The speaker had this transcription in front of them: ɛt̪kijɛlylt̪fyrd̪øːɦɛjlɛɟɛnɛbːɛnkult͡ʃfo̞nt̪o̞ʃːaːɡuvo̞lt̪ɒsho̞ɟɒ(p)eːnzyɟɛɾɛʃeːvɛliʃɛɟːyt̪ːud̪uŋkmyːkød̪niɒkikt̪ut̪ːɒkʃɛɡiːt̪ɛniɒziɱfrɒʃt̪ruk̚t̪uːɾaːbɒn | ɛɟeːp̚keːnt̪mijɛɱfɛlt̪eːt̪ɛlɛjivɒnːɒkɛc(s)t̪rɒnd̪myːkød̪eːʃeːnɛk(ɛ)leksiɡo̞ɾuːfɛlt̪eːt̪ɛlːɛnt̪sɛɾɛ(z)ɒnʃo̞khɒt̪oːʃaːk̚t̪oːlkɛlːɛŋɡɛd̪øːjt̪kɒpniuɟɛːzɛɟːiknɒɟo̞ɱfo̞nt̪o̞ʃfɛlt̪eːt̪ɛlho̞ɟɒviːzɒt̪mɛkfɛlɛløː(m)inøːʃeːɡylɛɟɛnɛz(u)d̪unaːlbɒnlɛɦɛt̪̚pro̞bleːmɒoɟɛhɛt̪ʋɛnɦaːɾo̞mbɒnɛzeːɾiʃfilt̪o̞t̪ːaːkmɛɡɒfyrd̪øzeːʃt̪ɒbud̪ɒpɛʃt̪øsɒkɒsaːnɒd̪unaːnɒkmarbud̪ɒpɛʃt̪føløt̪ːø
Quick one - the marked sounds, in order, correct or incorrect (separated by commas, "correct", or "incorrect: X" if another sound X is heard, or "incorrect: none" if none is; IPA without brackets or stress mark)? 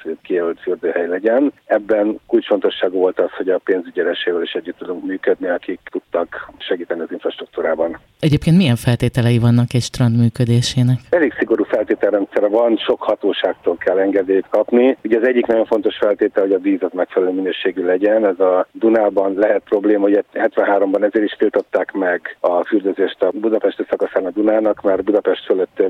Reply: correct, incorrect: ʃ, correct, incorrect: v, correct, incorrect: ɒ